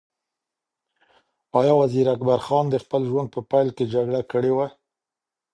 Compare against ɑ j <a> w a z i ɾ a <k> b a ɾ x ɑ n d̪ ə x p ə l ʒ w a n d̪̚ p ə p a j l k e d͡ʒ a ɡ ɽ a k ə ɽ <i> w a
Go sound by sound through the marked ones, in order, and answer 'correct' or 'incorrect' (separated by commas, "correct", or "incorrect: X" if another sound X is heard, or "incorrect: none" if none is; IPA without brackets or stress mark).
incorrect: ɑ, correct, incorrect: e